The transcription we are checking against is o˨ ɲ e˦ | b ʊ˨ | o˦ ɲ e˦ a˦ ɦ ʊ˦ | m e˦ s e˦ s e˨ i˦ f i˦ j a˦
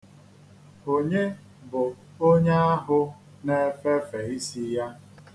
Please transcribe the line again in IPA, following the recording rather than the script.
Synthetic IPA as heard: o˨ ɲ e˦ | b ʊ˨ | o˦ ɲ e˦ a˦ ɦ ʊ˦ | n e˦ f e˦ f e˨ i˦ s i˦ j a˦